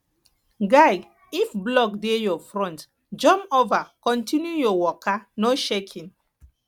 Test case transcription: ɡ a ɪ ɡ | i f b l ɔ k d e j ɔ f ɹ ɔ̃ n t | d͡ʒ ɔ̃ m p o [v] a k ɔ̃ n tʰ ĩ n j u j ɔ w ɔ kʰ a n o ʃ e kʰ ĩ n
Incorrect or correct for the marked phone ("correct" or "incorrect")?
correct